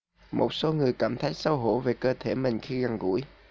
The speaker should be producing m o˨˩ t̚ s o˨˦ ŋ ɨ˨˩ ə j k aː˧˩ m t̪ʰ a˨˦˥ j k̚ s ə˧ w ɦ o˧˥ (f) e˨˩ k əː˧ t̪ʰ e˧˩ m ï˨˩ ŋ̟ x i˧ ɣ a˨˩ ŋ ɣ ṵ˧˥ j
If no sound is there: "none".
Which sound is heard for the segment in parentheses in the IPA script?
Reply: v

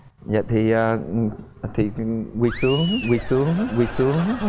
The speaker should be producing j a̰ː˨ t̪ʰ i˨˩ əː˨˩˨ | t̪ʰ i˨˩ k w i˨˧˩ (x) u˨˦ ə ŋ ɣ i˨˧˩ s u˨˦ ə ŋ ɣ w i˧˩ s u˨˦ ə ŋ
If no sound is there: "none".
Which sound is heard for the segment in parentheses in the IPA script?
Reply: s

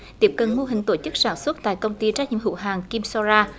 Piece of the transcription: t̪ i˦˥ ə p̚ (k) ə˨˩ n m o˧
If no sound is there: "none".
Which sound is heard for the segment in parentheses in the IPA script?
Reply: k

